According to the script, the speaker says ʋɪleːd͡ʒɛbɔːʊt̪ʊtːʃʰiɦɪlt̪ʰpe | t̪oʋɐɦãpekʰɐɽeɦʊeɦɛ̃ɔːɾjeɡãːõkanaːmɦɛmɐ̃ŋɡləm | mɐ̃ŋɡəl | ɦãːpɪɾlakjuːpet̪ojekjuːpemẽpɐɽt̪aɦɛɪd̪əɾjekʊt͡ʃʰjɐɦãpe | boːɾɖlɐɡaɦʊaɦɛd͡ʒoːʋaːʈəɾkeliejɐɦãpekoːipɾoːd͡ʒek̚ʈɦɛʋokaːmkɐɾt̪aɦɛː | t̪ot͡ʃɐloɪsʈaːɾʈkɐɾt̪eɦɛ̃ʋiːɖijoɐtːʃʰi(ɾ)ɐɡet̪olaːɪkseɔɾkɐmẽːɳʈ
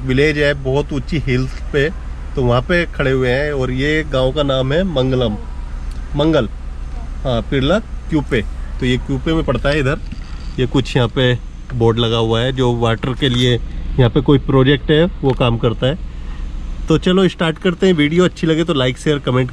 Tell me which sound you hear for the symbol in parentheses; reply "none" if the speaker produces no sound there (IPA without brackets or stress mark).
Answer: l